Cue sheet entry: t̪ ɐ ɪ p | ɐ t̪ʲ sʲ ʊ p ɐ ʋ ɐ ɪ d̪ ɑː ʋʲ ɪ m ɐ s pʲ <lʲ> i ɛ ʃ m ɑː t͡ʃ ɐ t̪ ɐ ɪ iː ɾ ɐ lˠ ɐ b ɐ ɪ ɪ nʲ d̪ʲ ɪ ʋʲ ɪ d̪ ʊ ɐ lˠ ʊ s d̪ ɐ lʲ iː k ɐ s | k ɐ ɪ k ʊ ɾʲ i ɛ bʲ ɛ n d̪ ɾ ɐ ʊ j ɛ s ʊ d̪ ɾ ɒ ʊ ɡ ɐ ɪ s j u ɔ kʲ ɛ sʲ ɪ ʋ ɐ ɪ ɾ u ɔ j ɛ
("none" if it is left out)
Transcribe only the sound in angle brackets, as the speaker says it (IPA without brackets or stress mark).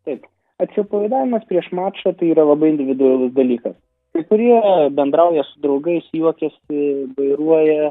ɾʲ